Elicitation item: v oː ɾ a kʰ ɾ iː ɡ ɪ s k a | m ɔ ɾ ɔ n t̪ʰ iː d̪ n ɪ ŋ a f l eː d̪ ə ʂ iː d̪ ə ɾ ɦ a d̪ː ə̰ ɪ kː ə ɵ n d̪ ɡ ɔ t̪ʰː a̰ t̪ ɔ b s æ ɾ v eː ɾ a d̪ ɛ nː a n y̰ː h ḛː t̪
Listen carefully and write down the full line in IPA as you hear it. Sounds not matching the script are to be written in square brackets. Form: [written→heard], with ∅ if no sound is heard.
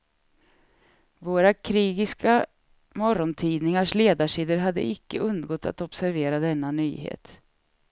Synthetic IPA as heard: v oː ɾ a kʰ ɾ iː ɡ ɪ s k a | m ɔ ɾ ɔ n t̪ʰ iː d̪ n ɪ ŋ a [f→ʂ] l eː d̪ [ə→a] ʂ iː d̪ ə ɾ ɦ a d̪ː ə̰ ɪ kː ə ɵ n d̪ ɡ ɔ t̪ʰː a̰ t̪ ɔ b s æ ɾ v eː ɾ a d̪ ɛ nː a n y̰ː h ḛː t̪